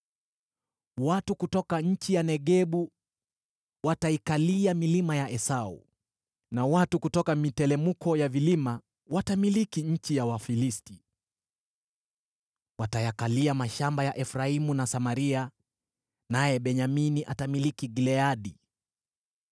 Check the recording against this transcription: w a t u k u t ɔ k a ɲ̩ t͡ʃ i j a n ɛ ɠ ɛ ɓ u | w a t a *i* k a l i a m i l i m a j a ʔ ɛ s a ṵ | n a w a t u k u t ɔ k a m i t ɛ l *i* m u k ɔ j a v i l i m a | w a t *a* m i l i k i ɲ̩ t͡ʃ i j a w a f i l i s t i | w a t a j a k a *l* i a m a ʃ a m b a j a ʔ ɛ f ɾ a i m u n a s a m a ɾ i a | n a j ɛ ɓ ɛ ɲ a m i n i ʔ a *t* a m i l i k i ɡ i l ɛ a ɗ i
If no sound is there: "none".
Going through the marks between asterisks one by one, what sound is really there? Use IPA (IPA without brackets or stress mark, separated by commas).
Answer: i, ɛ, a, l, t